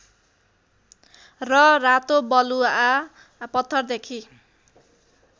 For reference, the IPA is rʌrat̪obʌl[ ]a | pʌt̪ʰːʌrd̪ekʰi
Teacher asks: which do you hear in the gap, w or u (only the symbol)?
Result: u